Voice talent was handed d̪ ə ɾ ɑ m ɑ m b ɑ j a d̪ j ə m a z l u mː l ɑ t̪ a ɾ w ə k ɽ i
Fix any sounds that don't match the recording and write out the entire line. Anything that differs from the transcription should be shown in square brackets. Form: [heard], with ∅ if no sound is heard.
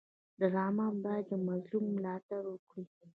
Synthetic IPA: d̪ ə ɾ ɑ m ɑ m b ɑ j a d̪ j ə m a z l u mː l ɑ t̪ a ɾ w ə k ɽ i